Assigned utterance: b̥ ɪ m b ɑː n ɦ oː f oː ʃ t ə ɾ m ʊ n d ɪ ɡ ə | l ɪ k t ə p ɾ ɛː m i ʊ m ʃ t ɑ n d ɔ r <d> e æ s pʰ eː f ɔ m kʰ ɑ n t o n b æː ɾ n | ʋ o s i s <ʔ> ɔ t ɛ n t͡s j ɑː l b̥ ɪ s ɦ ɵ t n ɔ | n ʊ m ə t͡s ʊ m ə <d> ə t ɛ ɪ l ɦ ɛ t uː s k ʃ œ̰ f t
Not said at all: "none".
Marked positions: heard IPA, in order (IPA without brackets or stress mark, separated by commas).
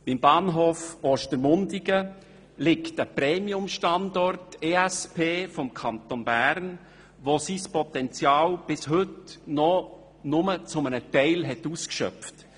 t, p, n